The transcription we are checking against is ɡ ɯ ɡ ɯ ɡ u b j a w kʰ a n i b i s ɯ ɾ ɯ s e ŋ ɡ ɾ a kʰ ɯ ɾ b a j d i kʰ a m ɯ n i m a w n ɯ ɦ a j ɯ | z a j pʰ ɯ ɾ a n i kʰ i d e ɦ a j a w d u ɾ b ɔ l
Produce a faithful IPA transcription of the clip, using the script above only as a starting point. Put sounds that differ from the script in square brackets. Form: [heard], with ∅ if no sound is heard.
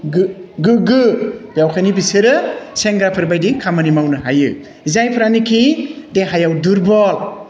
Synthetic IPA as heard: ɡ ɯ ɡ ɯ ɡ [ɯ] b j a w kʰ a n i b i s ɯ ɾ ɯ s e ŋ ɡ ɾ a [pʰ] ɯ ɾ b a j d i kʰ a m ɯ n i m a w n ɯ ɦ a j ɯ | z a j pʰ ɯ ɾ a n i kʰ i d e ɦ a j a w d u ɾ b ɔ l

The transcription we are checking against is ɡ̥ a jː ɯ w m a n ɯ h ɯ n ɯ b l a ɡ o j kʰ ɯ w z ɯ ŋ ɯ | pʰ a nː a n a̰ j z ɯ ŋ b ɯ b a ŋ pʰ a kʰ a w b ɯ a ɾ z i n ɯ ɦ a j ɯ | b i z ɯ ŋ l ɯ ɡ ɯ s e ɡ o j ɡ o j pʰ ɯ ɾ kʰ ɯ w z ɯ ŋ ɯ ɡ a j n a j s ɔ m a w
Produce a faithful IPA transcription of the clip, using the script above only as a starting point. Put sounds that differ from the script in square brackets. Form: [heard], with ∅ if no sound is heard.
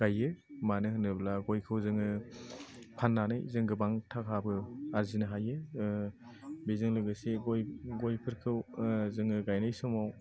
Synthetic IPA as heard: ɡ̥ a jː ɯ [∅] m a n ɯ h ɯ n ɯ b l a ɡ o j kʰ ɯ w z ɯ ŋ ɯ | pʰ a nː a n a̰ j z ɯ ŋ [ɡ] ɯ b a ŋ [tʰ] a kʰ a [∅] b ɯ a ɾ z i n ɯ ɦ a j ɯ | b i z ɯ ŋ l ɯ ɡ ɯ s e ɡ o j ɡ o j pʰ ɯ ɾ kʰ ɯ w z ɯ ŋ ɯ ɡ a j n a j s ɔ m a w

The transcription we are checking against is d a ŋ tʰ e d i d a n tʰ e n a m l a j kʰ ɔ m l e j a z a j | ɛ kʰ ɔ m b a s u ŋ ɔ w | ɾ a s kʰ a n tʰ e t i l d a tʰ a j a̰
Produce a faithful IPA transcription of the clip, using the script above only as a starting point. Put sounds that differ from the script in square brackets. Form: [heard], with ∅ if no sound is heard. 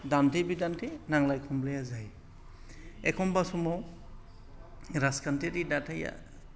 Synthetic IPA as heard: d a [n] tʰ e [b] i d a n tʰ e n a [ŋ] l a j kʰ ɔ m l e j a z a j | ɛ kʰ ɔ m b a s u [m] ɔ w | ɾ a s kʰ a n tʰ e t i [∅] d a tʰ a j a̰

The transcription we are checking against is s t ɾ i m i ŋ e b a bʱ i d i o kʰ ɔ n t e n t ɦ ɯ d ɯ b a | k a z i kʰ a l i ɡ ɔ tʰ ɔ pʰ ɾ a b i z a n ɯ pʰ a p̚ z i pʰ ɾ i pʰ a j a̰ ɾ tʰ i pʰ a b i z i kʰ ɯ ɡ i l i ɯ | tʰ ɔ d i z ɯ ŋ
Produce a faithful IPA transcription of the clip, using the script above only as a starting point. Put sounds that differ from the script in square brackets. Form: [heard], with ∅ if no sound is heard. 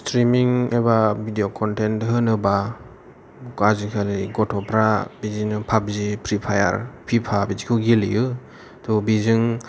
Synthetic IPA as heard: s t ɾ i m i ŋ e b a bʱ i d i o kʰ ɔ n t e n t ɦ ɯ [n] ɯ b a | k a z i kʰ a l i ɡ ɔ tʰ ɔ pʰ ɾ a b i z [i] n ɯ pʰ a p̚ z i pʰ ɾ i pʰ a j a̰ ɾ [pʰ] i pʰ a b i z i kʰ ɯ ɡ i l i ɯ | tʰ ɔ [b] i z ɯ ŋ

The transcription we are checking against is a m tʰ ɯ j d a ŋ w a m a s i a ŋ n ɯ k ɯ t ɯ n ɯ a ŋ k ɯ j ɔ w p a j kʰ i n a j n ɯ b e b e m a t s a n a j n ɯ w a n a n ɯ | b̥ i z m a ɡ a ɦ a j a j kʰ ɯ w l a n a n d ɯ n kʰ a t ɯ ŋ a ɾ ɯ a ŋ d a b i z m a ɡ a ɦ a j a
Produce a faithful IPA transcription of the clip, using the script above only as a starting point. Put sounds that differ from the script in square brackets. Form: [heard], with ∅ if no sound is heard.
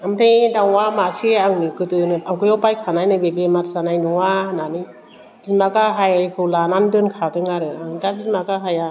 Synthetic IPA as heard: a m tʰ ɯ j d a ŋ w a m a s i a ŋ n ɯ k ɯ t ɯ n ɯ a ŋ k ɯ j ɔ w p a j kʰ [a] n a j n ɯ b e b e m a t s a n a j n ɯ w a n a n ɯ | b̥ i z m a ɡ a ɦ a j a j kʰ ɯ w l a n a n d ɯ n kʰ a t ɯ ŋ a ɾ ɯ a ŋ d a b i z m a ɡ a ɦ a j a

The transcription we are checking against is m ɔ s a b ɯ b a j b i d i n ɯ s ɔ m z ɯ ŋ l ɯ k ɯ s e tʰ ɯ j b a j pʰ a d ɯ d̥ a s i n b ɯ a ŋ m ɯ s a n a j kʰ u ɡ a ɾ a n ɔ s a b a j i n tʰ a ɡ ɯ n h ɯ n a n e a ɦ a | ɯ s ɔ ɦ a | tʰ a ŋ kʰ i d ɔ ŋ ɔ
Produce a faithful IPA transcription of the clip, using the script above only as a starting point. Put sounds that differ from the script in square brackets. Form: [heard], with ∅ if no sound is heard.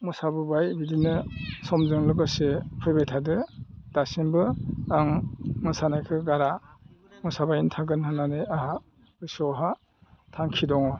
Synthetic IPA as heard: m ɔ s a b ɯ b a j b i d i n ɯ s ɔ m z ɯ ŋ l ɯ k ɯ s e [pʰ] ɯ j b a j [tʰ] a d ɯ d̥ a s i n b ɯ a ŋ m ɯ s a n a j kʰ [ɯ] ɡ a ɾ a [m] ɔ s a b a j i n tʰ a ɡ ɯ n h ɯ n a n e a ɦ a | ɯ s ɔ ɦ a | tʰ a ŋ kʰ i d ɔ ŋ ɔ

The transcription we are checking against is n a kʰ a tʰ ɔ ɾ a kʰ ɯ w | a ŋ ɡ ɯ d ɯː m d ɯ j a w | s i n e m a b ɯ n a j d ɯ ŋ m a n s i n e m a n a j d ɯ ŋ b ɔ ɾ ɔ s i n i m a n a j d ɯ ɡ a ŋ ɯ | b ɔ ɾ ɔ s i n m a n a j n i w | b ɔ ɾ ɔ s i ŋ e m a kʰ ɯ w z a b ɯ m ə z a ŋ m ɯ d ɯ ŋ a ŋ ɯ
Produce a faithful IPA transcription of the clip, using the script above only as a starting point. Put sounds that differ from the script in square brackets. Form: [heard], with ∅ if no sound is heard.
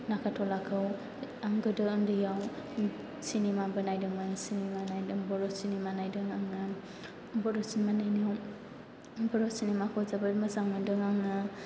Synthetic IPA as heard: n a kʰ a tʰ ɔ [l] a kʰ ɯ w | a ŋ ɡ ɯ d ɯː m d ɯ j a w | s i n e m a b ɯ n a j d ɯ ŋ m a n s i n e m a n a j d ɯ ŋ b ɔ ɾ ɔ s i n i m a n a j d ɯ [ŋ] a ŋ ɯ | b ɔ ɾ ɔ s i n m a n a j n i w | b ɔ ɾ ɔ s i [n] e m a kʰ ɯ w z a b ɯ m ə z a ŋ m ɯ d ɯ ŋ a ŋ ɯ

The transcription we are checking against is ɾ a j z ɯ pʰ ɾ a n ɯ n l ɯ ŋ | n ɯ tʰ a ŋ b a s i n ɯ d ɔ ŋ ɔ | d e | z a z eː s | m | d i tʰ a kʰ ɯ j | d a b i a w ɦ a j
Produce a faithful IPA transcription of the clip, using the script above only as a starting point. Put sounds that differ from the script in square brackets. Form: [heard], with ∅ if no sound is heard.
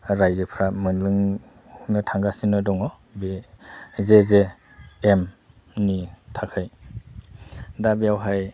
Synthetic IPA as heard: ɾ a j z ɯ pʰ ɾ a [m] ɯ n l ɯ ŋ | n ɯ tʰ a ŋ [ɡ] a s i n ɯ d ɔ ŋ ɔ | [b] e | z [e] z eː [∅] | m | [n] i tʰ a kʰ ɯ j | d a b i a w ɦ a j

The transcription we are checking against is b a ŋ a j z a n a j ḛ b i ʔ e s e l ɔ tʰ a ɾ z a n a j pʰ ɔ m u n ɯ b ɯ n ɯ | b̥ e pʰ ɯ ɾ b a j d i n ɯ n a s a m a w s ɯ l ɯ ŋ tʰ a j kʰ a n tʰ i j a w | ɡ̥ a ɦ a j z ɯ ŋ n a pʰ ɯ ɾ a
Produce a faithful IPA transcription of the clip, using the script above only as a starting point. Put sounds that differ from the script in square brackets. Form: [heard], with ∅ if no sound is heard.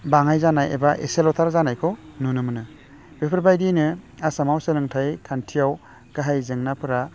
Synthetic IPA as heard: b a ŋ a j z a n a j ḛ b [a] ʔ e s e l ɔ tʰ a ɾ z a n a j [kʰ] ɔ [n] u n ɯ [m] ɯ n ɯ | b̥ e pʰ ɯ ɾ b a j d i n ɯ [∅] a s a m a w s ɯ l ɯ ŋ tʰ a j kʰ a n tʰ i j a w | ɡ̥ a ɦ a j z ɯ ŋ n a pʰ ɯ ɾ a

